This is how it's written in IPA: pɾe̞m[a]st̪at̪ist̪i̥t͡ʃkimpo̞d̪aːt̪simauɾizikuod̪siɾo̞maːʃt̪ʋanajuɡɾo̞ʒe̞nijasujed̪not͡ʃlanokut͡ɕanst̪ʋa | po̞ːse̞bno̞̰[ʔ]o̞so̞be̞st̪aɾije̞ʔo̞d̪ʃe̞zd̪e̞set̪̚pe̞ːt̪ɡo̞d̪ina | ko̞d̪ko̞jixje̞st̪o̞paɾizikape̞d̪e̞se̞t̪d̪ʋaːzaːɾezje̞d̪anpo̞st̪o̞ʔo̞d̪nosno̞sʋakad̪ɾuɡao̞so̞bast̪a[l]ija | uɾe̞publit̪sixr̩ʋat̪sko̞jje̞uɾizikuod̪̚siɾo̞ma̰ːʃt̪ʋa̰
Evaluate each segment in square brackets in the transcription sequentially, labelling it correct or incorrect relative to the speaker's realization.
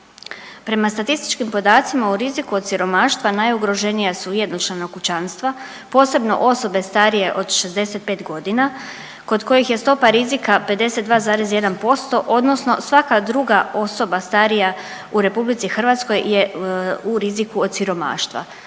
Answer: correct, correct, incorrect: ɾ

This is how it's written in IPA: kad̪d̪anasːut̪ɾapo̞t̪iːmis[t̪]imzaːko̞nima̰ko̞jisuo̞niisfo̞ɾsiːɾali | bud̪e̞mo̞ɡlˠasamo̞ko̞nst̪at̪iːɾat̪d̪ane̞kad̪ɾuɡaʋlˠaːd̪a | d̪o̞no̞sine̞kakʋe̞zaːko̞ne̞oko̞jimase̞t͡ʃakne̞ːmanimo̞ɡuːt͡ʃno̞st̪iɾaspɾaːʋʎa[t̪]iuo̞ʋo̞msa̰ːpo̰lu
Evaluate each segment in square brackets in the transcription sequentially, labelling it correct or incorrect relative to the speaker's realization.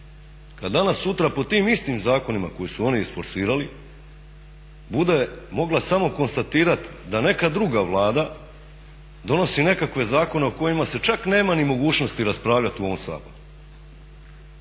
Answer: correct, correct

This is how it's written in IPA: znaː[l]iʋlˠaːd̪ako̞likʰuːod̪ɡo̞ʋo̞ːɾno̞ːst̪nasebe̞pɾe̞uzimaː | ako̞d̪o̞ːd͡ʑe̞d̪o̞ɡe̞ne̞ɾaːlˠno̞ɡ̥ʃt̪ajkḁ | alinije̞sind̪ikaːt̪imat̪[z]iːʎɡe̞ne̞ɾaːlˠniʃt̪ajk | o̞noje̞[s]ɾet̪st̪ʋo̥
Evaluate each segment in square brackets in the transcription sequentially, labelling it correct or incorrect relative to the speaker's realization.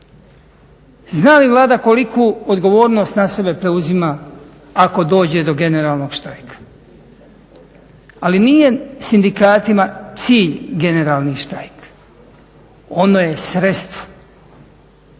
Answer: correct, incorrect: s, correct

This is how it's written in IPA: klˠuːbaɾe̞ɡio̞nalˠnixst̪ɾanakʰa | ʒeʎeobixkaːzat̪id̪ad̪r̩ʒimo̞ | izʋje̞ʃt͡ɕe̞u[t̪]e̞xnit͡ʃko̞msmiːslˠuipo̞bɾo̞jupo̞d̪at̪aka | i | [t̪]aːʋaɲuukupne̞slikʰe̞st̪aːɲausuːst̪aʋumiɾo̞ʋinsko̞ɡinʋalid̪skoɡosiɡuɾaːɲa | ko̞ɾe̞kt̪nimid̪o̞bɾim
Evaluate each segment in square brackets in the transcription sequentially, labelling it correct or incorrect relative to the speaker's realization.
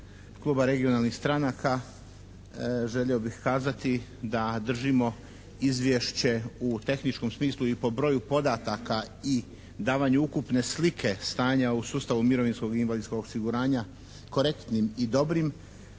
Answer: correct, incorrect: d̪

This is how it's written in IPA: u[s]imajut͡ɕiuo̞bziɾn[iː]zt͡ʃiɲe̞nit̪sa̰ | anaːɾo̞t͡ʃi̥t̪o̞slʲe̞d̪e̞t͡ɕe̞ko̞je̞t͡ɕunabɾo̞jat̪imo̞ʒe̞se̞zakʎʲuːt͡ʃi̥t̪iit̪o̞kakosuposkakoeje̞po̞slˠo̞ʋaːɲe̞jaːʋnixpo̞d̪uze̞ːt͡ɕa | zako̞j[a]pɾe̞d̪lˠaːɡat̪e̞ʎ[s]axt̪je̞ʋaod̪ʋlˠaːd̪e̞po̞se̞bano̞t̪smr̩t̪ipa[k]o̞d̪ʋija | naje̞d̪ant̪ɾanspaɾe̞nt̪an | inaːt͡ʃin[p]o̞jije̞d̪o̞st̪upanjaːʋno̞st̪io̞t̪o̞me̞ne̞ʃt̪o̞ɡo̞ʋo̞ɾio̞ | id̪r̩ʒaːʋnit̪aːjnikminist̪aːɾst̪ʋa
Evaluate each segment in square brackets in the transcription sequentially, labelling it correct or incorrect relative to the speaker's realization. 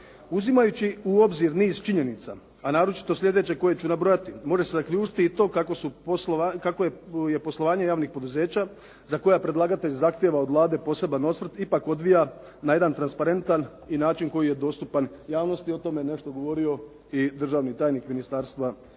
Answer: incorrect: z, correct, correct, incorrect: z, correct, incorrect: k

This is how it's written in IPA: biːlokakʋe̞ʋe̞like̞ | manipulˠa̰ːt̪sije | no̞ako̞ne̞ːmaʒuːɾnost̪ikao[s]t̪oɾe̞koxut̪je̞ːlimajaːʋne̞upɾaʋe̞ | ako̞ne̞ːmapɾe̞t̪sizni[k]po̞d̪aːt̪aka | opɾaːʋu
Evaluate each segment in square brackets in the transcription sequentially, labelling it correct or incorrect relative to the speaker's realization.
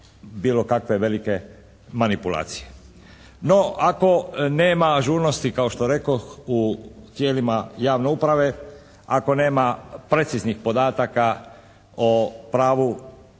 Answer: incorrect: ʃ, incorrect: x

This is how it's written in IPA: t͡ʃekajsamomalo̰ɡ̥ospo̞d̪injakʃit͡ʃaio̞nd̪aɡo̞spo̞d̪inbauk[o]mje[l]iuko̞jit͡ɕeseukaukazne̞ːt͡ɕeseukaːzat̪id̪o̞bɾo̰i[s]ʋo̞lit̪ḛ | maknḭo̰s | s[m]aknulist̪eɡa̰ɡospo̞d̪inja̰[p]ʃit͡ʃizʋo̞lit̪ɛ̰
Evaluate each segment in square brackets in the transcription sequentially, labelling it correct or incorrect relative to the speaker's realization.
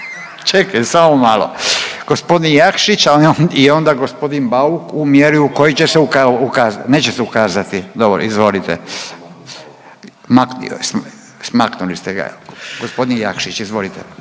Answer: incorrect: u, incorrect: ɾ, incorrect: z, correct, incorrect: k

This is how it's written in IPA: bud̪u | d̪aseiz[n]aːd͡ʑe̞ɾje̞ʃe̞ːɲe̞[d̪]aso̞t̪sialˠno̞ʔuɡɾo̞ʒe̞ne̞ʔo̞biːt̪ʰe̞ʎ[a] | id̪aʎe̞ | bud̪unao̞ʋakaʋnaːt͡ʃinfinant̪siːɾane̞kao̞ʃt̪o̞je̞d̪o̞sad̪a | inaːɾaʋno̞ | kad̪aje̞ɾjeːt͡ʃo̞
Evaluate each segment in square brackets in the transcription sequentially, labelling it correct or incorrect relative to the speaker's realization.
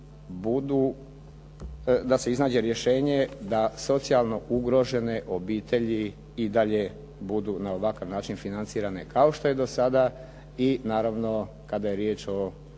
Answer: correct, correct, incorrect: i

